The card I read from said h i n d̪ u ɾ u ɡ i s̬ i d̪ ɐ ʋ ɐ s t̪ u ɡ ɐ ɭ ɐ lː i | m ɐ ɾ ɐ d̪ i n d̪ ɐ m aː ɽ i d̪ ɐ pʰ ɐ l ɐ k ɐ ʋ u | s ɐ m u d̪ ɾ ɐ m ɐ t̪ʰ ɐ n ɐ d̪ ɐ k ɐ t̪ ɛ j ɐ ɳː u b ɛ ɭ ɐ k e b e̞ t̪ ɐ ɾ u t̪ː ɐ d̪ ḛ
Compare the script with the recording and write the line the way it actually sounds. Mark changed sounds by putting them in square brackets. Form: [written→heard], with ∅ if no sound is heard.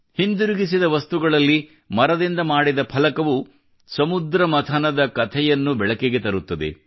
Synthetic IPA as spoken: h i n d̪ u ɾ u ɡ i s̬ i d̪ ɐ ʋ ɐ s t̪ u ɡ ɐ ɭ ɐ lː i | m ɐ ɾ ɐ d̪ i n d̪ ɐ m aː ɽ i d̪ ɐ pʰ ɐ l ɐ k ɐ ʋ u | s ɐ m u d̪ ɾ ɐ m ɐ t̪ʰ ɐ n ɐ d̪ ɐ k ɐ [t̪→t̪ʰ] ɛ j ɐ [ɳː→nː] u b ɛ ɭ ɐ k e [b→ɡ] e̞ t̪ ɐ ɾ u t̪ː ɐ d̪ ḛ